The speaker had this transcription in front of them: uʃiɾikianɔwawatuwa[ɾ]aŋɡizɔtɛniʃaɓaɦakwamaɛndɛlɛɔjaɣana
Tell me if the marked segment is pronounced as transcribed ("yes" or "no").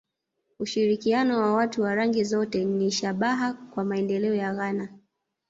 yes